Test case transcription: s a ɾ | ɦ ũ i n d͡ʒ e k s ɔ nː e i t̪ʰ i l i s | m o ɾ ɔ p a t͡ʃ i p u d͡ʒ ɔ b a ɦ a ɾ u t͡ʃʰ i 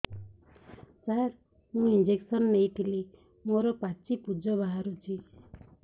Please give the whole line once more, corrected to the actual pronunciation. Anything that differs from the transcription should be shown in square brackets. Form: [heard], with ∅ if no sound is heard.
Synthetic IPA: s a ɾ | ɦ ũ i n d͡ʒ e k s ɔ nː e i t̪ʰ i l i [∅] | m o ɾ ɔ p a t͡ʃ i p u d͡ʒ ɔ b a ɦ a ɾ u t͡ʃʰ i